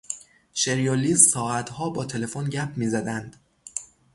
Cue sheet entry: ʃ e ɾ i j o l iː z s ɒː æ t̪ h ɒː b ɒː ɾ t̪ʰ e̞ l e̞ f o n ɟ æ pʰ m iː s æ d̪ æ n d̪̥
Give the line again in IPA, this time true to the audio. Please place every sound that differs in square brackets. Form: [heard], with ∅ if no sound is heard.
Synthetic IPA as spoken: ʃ e ɾ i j o l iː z s ɒː æ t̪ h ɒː b ɒː [∅] t̪ʰ e̞ l e̞ f o n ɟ æ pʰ m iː [z] æ d̪ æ n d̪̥